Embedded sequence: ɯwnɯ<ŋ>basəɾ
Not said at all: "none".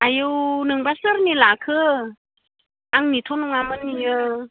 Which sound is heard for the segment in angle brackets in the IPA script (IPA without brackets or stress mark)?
ŋ